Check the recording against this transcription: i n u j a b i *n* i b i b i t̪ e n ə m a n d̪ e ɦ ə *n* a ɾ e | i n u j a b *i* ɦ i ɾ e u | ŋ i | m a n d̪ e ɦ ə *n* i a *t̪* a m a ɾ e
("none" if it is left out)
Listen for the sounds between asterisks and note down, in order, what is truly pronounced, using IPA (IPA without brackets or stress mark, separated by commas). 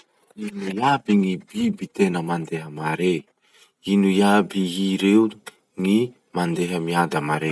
ŋ, m, i, m, d̪